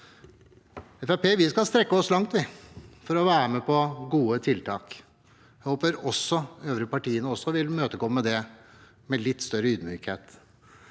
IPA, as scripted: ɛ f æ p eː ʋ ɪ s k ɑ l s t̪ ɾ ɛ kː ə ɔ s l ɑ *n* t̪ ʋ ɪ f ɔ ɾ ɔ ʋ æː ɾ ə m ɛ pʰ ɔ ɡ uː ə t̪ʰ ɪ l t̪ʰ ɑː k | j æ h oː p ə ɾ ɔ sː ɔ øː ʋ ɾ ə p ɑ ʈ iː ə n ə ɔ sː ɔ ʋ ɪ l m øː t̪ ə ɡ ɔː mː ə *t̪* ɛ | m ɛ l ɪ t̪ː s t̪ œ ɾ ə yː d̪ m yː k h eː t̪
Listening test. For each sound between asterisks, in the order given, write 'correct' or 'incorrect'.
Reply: incorrect: ŋ, incorrect: d̪

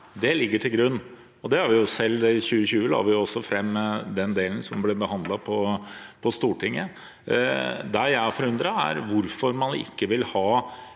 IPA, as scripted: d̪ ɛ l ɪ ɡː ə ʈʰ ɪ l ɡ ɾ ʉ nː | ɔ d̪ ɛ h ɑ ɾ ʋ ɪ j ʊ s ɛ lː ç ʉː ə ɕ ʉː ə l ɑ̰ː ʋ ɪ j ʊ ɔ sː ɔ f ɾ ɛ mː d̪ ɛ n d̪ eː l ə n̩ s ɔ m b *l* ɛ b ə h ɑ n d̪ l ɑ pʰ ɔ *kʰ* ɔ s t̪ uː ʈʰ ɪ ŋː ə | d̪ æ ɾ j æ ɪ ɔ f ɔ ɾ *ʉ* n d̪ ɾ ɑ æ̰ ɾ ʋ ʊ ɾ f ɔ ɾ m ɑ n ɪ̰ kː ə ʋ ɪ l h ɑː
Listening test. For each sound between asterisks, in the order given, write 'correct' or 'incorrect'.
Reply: correct, incorrect: pʰ, correct

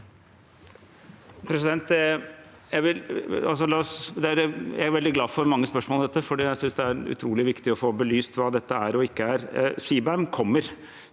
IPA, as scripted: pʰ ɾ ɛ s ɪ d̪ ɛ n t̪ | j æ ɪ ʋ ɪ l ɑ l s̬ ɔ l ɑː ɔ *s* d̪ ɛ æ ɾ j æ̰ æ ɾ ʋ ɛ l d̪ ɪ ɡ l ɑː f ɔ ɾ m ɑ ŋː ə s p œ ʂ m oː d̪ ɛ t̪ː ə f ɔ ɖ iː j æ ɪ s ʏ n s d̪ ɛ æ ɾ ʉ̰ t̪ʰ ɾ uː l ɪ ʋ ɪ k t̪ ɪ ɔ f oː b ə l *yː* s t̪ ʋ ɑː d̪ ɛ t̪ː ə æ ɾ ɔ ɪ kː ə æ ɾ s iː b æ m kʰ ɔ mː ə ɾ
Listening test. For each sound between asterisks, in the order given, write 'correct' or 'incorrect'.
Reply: correct, correct

